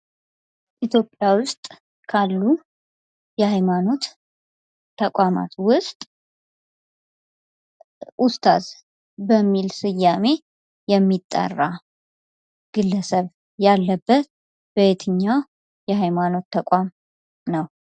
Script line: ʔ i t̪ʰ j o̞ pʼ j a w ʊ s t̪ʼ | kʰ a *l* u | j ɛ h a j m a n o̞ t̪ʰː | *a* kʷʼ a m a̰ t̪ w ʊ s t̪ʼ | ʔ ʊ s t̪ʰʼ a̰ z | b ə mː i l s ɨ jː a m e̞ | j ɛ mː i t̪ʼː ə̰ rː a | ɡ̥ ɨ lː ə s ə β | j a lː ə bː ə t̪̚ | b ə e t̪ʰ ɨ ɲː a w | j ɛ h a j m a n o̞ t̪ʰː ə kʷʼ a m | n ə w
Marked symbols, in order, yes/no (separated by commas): no, no